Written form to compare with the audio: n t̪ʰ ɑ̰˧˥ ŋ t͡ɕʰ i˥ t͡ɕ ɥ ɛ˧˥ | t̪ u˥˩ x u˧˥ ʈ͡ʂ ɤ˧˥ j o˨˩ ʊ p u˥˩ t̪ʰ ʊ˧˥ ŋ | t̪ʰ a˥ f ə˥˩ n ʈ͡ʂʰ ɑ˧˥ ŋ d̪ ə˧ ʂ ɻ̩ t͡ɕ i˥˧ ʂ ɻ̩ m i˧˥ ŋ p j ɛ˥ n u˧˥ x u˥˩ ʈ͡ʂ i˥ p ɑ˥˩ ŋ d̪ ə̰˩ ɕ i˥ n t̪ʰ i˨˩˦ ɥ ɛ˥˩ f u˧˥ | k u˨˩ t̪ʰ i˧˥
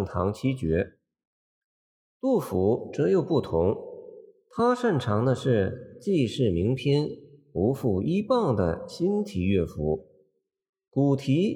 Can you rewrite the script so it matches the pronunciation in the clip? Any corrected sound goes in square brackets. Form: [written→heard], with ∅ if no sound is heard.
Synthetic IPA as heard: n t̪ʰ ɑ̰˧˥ ŋ t͡ɕʰ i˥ t͡ɕ ɥ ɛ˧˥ | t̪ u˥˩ [x→f] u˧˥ ʈ͡ʂ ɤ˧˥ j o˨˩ ʊ p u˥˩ t̪ʰ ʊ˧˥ ŋ | t̪ʰ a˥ [f→ʂ] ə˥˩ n ʈ͡ʂʰ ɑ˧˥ ŋ d̪ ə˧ ʂ ɻ̩ t͡ɕ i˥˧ ʂ ɻ̩ m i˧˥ ŋ [p→pʰ] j ɛ˥ n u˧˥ [x→f] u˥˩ [ʈ͡ʂ→∅] i˥ p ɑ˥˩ ŋ d̪ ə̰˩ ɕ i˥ n t̪ʰ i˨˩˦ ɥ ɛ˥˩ f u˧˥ | k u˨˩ t̪ʰ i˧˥